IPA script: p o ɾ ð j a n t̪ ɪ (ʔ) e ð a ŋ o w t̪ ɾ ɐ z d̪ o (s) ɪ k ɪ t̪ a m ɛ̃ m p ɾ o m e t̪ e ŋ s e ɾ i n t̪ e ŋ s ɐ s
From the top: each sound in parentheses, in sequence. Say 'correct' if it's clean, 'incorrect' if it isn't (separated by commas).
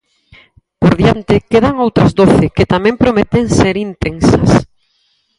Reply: incorrect, incorrect